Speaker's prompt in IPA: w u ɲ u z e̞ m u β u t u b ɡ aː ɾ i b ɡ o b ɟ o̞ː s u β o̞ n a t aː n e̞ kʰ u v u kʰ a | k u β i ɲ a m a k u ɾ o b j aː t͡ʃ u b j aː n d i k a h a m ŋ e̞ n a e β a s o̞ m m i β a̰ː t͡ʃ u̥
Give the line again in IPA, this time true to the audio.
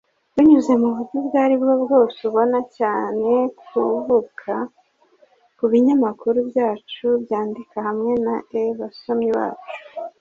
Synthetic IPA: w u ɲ u z e̞ m u β u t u b ɡ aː ɾ i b ɡ o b ɡ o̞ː s u β o̞ n a c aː n e̞ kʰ u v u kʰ a | k u β i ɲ a m a k u ɾ u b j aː t͡ʃ u b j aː n d i k a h a m ŋ e̞ n a e β a s o̞ m ɲ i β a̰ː t͡ʃ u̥

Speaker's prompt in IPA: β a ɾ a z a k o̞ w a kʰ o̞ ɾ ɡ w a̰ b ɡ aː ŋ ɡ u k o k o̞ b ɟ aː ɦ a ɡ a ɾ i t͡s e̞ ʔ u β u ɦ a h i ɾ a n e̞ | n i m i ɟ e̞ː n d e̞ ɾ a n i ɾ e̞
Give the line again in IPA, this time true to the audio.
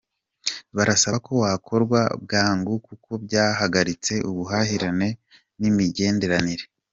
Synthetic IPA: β a ɾ a s a k o̞ w a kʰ o̞ ɾ ɡ w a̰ b ɡ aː ŋ ɡ u k u k o̞ b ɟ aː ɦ a ɡ a ɾ i t͡s e̞ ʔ u β u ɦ a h i ɾ a n e̞ | n i m i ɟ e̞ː n d e̞ ɾ a n i ɾ e̞

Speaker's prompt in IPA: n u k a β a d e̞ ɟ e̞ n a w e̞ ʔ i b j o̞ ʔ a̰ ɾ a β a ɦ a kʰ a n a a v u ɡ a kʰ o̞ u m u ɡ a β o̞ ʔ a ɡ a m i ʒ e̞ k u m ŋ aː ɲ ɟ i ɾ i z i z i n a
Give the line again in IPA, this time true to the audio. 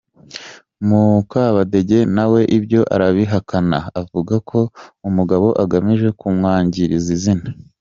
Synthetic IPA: m u k a β a d e̞ ɟ e̞ n a w e̞ ʔ i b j o̞ ʔ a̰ ɾ a β i ɦ a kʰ a n a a v u ɡ a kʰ o̞ u m u ɡ a β o̞ ʔ a ɡ a m i ʒ e̞ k u m ŋ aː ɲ ɟ i ɾ i z i z i n a

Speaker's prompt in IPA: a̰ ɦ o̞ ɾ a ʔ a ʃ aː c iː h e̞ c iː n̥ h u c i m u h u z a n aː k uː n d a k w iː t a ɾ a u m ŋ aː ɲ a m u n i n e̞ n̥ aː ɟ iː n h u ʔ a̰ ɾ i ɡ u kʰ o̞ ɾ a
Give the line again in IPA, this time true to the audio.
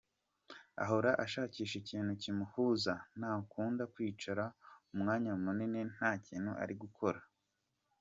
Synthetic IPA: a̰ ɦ o̞ ɾ a ʔ a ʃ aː c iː ʃ e̞ c iː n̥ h u c i m u h u z a n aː k uː n d a k w iː t͡ʃ a ɾ a u m ŋ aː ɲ a m u n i n e̞ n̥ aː c iː n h u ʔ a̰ ɾ i ɡ u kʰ o̞ ɾ a

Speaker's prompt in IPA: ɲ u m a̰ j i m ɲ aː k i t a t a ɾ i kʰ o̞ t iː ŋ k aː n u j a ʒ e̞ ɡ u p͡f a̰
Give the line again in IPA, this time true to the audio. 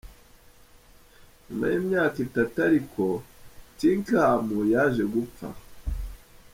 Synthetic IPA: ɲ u m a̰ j i m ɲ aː k i t a t a ɾ i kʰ o̞ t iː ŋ k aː m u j a ʒ e̞ ɡ u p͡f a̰

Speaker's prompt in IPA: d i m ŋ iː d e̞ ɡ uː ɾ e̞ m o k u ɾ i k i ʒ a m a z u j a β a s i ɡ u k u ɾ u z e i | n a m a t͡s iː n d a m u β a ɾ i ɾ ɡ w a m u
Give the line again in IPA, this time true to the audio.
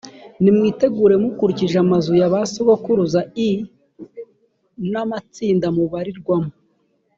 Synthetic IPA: n i m ŋ iː t e̞ ɡ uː ɾ e̞ m u k u ɾ i c i ʒ a m a z u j a β a s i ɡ o k u ɾ u z a i | n a m a t͡s iː n d a m u β a ɾ i ɾ ɡ w a m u

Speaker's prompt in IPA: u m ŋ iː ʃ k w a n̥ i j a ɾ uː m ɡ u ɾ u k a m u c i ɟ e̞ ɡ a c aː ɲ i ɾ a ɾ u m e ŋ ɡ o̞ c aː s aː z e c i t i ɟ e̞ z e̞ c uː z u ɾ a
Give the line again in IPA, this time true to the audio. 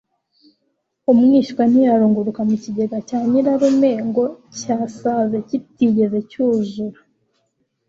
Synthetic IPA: u m ŋ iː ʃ k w a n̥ i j a ɾ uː ŋ ɡ u ɾ u k a m u c i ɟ e̞ ɡ a c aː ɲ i ɾ a ɾ u m e ŋ ɡ o̞ c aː s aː z e c i t i ɟ e̞ z e̞ c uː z u ɾ a

